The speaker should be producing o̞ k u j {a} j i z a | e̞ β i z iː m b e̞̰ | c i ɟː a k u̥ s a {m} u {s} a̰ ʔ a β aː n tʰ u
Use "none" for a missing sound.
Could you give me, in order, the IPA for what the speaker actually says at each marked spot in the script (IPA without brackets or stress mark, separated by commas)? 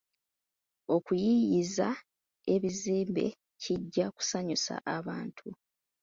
i, ɲ, s